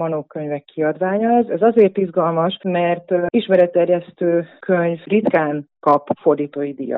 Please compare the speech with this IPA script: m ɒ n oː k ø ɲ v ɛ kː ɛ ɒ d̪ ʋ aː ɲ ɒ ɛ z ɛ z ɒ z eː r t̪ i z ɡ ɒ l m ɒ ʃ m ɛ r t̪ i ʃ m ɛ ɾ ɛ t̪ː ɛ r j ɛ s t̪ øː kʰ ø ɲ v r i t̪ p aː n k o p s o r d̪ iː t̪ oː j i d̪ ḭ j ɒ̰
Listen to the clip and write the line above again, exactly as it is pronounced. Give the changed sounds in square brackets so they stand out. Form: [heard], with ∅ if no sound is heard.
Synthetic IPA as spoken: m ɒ n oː k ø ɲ v ɛ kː [i] ɒ d̪ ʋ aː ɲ ɒ ɛ z ɛ z ɒ z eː r t̪ i z ɡ ɒ l m ɒ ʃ m ɛ r t̪ i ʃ m ɛ ɾ ɛ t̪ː ɛ r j ɛ s t̪ øː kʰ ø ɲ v r i t̪ [k] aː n k [ɒ] p [f] o r d̪ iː t̪ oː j i d̪ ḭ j ɒ̰